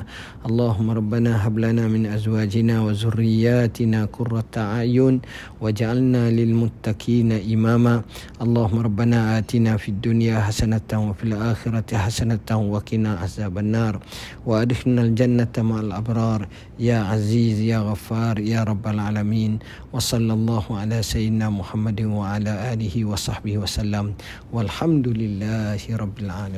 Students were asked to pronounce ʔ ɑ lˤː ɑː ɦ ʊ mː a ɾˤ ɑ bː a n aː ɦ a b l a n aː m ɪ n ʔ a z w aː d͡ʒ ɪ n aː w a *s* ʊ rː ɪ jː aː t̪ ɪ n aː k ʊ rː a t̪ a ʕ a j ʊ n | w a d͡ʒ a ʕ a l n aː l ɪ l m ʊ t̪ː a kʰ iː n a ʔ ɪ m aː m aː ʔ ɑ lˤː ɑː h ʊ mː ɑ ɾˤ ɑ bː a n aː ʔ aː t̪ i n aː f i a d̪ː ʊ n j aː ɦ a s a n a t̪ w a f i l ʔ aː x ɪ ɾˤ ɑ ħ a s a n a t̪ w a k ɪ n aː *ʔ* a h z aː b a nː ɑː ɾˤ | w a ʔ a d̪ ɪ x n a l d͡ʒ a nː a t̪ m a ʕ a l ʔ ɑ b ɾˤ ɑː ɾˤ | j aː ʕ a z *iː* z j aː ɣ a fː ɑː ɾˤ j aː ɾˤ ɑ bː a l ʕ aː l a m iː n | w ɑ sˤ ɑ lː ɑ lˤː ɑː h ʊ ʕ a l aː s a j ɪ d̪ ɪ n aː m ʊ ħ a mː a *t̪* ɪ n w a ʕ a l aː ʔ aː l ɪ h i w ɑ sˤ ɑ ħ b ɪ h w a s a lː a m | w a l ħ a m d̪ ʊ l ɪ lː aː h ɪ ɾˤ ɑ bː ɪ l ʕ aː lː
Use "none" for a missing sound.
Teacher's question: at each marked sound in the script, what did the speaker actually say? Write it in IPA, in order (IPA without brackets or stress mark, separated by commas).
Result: z, ʔ, iː, d̪